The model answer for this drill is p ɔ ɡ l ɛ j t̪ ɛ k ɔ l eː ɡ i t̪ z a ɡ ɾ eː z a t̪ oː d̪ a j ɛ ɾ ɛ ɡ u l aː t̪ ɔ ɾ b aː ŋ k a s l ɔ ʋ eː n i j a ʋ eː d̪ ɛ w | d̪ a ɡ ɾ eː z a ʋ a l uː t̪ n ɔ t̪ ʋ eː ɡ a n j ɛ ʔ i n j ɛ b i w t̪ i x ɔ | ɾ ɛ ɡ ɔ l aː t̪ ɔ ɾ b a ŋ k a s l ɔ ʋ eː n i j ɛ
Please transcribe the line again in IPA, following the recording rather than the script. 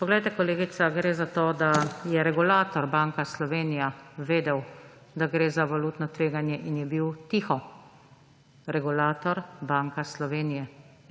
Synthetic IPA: p ɔ ɡ l ɛ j t̪ ɛ k ɔ l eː ɡ i t̪ s a ɡ ɾ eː z a t̪ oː d̪ a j ɛ ɾ ɛ ɡ u l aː t̪ ɔ ɾ b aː ŋ k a s l ɔ ʋ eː n i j a ʋ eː d̪ ɛ w | d̪ a ɡ ɾ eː z a ʋ a l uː t̪ n ɔ t̪ ʋ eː ɡ a n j ɛ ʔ i n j ɛ b i w t̪ i x ɔ | ɾ ɛ ɡ u l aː t̪ ɔ ɾ b a ŋ k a s l ɔ ʋ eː n i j ɛ